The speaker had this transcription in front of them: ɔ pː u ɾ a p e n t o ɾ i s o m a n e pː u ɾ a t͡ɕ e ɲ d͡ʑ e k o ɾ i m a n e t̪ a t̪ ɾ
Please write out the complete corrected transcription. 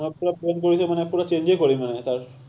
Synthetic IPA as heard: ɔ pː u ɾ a p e n k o ɾ i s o m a n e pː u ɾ a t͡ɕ e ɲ d͡ʑ e k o ɾ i m a n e t̪ a ɾ